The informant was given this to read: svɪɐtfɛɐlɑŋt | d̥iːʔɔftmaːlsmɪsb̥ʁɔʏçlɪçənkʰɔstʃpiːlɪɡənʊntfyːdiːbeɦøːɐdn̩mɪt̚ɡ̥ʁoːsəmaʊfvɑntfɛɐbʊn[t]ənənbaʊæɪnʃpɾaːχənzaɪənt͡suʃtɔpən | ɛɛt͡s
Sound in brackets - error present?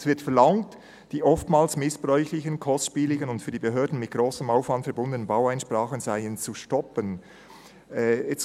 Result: yes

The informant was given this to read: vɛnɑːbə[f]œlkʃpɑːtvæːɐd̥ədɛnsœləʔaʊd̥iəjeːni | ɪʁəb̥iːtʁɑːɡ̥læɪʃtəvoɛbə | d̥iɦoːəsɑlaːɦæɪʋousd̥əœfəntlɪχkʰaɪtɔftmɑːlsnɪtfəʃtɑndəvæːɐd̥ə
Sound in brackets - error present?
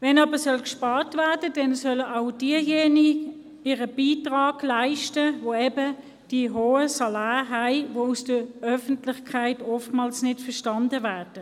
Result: yes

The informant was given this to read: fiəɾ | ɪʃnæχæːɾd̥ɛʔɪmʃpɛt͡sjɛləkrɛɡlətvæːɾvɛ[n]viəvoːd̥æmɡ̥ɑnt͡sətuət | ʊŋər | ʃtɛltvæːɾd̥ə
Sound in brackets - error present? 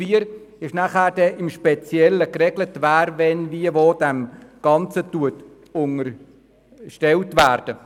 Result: no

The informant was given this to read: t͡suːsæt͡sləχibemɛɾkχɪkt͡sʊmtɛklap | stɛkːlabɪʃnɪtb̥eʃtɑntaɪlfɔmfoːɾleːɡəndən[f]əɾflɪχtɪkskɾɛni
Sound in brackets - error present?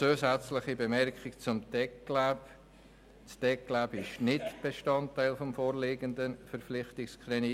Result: no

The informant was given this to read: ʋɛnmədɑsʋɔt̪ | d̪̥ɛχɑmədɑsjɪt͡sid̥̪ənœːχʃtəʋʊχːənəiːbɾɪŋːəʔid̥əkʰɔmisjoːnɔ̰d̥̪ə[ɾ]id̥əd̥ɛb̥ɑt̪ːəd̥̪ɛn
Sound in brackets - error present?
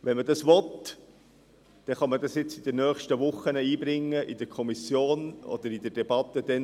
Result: no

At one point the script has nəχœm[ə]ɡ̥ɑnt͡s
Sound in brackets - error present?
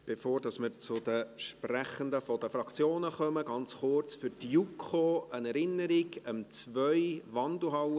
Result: no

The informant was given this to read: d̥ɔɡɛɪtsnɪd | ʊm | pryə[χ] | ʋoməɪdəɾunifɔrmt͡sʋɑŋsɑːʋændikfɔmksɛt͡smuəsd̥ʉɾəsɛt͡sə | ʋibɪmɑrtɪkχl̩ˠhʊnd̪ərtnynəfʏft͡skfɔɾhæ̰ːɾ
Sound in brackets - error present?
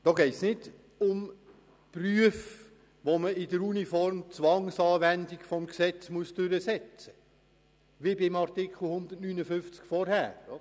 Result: yes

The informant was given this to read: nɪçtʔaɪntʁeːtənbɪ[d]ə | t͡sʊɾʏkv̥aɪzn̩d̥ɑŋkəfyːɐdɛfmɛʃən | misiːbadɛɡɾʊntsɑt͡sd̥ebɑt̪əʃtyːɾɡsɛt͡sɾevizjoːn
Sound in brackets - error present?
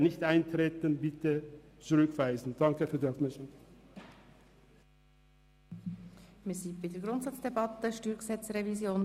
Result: yes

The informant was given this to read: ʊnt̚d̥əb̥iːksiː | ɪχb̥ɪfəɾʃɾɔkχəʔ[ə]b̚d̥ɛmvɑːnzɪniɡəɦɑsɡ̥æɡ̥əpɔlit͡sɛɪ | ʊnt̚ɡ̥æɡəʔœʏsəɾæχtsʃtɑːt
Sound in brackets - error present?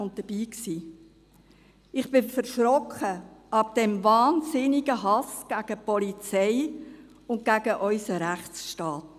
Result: yes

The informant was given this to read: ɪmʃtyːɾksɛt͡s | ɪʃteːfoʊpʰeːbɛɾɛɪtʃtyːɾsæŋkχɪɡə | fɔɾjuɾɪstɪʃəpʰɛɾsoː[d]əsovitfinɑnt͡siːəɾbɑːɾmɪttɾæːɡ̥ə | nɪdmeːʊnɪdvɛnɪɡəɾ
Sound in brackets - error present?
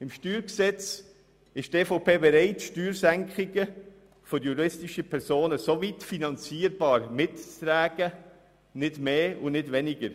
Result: yes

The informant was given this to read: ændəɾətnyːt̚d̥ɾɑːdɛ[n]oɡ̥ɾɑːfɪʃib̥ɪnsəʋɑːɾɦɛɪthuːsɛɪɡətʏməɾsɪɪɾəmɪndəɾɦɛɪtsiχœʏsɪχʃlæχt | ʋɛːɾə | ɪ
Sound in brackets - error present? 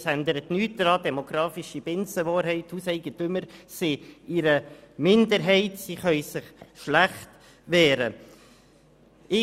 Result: yes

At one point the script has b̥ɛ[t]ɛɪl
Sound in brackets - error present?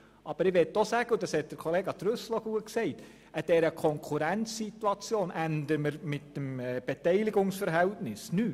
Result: no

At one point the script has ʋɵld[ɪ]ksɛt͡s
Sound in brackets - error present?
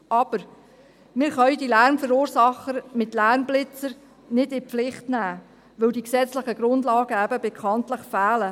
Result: yes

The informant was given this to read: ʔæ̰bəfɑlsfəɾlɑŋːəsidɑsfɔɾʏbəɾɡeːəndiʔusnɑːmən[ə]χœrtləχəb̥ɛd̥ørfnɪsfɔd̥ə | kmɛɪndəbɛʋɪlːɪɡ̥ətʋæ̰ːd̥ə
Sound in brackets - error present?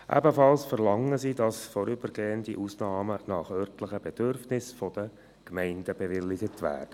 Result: yes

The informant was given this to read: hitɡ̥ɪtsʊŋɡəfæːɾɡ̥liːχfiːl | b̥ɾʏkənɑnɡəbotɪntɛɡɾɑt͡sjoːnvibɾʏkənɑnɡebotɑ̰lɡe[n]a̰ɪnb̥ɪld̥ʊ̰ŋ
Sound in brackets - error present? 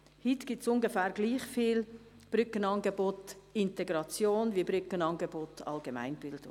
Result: yes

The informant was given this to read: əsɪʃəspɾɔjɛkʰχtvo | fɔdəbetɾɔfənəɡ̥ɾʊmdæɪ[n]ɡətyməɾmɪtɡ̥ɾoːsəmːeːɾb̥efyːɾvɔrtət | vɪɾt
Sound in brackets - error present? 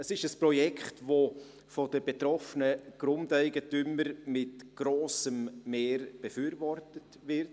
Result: yes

